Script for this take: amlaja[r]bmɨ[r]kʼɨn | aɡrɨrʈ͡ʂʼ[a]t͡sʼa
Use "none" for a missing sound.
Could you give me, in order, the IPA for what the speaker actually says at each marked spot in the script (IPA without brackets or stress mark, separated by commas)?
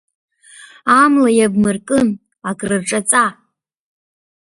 none, r, a